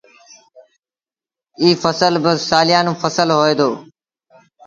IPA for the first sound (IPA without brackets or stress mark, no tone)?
iː